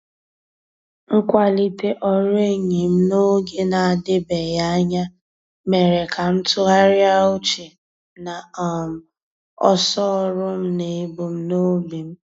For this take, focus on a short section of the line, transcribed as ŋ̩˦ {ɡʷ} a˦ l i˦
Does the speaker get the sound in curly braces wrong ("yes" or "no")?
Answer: yes